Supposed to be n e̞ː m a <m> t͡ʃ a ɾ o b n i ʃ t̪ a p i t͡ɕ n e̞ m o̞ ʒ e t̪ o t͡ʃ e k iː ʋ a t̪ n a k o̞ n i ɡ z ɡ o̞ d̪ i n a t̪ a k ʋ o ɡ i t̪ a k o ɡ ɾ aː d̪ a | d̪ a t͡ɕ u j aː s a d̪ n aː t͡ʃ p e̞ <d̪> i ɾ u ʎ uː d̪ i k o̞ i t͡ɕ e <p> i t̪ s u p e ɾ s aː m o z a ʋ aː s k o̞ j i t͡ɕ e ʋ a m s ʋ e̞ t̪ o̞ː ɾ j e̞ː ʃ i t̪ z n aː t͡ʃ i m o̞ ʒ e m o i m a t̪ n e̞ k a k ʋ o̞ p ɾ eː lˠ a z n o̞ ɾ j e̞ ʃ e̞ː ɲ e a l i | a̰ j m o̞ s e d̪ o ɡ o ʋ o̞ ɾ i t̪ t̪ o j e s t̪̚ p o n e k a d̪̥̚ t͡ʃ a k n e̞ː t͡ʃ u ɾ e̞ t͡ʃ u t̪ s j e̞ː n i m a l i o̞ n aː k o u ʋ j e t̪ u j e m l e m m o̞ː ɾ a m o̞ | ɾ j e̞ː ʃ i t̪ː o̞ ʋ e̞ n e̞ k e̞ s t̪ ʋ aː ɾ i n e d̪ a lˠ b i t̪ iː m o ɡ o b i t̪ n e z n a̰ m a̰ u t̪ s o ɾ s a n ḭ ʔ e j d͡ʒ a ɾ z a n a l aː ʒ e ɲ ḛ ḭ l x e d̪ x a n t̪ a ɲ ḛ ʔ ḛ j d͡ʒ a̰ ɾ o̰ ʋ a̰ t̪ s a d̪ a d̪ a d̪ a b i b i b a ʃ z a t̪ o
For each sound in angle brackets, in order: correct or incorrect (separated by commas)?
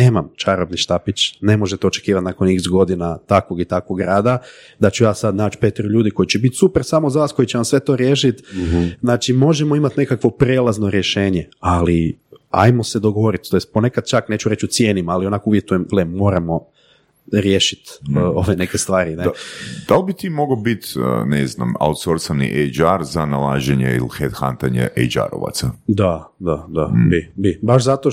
correct, incorrect, incorrect